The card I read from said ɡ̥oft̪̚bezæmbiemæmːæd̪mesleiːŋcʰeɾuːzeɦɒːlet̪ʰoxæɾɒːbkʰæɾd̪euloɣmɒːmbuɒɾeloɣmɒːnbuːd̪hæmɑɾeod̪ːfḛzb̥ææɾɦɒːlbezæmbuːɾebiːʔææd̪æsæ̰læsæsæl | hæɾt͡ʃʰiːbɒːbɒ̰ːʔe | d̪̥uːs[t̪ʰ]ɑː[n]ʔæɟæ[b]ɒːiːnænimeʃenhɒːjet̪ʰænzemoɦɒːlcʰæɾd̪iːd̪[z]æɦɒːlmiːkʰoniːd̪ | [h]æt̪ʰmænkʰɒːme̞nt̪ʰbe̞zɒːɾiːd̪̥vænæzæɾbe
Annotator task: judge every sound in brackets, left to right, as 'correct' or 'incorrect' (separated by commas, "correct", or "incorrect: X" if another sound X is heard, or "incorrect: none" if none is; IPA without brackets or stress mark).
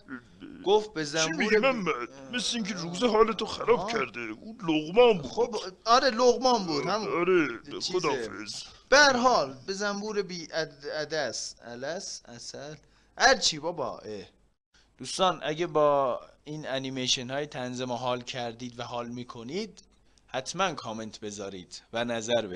incorrect: t̪, correct, correct, incorrect: v, correct